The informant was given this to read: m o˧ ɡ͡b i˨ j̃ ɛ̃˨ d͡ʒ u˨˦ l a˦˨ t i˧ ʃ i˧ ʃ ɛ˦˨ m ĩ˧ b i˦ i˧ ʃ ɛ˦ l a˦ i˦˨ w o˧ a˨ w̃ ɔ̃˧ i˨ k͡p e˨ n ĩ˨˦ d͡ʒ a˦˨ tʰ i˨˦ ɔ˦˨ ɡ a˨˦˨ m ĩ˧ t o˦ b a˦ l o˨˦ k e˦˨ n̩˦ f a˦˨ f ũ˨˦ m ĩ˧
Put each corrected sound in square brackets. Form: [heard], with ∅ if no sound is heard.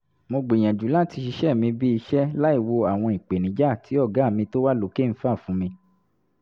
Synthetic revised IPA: m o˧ ɡ͡b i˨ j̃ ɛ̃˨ d͡ʒ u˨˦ l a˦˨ t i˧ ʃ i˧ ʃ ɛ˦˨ m ĩ˧ b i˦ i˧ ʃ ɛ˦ l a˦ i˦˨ w o˧ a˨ w̃ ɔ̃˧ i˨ k͡p e˨ n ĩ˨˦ d͡ʒ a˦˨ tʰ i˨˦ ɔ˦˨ ɡ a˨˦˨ m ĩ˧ t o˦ [w] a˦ l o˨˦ k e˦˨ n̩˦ f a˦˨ f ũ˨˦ m ĩ˧